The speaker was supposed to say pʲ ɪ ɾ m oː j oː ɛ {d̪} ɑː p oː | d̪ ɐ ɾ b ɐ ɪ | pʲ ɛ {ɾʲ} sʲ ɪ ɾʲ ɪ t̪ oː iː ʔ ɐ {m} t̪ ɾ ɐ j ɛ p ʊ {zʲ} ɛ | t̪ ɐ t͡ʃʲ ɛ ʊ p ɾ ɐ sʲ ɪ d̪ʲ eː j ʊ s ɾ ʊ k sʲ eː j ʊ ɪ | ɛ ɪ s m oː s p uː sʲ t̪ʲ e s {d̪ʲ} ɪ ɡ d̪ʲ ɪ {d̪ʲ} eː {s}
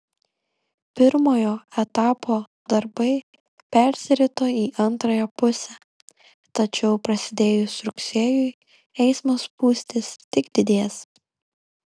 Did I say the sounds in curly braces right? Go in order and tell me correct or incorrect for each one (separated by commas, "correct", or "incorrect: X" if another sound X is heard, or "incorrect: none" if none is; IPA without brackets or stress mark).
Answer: incorrect: t̪, correct, incorrect: n, incorrect: sʲ, incorrect: t̪ʲ, correct, correct